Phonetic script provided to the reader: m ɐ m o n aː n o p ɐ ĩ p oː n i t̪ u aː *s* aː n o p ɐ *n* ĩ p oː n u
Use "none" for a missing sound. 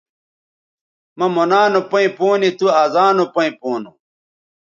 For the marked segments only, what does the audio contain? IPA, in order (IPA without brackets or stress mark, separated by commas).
z, none